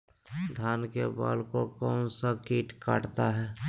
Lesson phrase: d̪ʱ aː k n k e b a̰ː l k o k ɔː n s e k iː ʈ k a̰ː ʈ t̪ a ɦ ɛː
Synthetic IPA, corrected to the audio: d̪ʱ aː n k e b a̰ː l k o k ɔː n s a k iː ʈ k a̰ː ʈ t̪ a ɦ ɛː

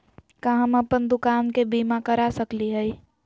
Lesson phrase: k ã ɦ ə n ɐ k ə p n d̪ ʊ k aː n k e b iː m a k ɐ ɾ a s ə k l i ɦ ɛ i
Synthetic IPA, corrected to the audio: k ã ɦ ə m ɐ p ə n d̪ ʊ k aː n k e b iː m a k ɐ ɾ a s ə k l i ɦ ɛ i

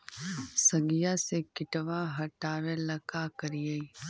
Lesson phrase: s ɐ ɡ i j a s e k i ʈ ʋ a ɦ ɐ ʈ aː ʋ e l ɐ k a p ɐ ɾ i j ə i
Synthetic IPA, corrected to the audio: s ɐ ɡ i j a s e k ɪ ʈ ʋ a ɦ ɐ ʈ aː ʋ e l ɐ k a k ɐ ɾ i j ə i

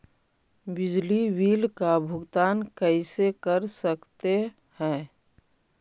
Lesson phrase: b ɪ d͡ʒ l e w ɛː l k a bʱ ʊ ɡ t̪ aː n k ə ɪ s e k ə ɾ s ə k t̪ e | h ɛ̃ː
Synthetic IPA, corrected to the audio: b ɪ d͡ʒ l i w iː l k a bʱ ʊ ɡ t̪ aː n k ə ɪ s e k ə ɾ s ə k t̪ e | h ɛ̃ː

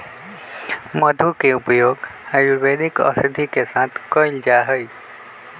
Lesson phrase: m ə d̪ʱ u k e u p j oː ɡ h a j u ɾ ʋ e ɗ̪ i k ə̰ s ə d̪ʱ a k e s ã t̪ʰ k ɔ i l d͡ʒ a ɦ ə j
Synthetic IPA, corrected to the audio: m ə d̪ʱ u k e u p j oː ɡ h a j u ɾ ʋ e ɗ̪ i k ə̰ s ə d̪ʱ i k e s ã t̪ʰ k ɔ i l d͡ʒ a ɦ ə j

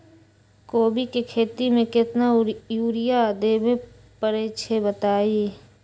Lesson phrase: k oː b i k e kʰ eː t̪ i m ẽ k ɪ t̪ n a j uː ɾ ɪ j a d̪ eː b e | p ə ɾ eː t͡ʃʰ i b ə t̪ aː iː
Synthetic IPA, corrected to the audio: k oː b i k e kʰ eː t̪ i m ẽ k ɪ t̪ n a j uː ɾ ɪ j a d̪ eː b e | p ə ɾ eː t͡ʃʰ e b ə t̪ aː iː

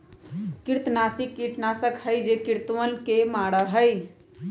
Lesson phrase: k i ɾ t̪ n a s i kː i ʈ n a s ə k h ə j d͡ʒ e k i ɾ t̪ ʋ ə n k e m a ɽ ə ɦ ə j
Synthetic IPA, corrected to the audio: k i ɾ t̪ n a s i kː i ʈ n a s ə k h ə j d͡ʒ e k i ɾ t̪ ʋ ə n k e m a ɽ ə ɦ ə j

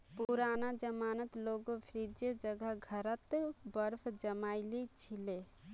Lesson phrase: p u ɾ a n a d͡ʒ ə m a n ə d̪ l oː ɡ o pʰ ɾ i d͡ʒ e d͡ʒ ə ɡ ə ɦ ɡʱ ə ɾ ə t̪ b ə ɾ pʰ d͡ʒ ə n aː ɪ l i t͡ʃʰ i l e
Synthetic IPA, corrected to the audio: p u ɾ a n a d͡ʒ ə m a n ə t̪ l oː ɡ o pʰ ɾ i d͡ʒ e d͡ʒ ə ɡ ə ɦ ɡʱ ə ɾ ə t̪ b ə ɾ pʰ d͡ʒ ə m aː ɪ l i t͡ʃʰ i l e

